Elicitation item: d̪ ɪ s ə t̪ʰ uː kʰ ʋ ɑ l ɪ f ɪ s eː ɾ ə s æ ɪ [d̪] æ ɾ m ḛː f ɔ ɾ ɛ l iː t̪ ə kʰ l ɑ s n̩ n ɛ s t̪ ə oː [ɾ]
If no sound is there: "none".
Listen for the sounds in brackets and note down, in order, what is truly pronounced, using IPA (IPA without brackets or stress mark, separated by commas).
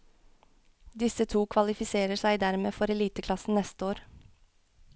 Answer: d̪, ɾ